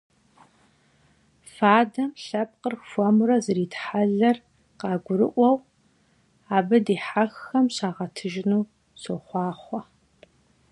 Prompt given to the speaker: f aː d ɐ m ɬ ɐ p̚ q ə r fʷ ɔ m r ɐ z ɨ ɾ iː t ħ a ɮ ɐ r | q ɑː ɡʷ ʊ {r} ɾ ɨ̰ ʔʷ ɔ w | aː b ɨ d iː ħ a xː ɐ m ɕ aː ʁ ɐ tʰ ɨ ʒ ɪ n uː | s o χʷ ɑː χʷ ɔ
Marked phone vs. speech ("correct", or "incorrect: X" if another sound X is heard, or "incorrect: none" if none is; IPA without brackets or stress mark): incorrect: none